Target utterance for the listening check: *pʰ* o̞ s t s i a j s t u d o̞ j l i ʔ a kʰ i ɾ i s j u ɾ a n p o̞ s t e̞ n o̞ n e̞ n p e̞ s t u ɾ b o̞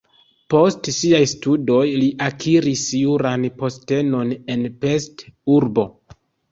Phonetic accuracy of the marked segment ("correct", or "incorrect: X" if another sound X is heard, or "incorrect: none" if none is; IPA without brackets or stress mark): incorrect: p